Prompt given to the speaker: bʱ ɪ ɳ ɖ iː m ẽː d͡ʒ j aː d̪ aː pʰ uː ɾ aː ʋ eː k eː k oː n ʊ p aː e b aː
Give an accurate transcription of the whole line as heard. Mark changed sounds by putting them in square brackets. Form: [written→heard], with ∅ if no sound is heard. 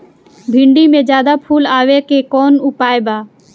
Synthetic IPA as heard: bʱ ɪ ɳ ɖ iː m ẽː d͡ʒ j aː d̪ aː pʰ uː [ɾ→l] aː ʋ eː k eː k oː n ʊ p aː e b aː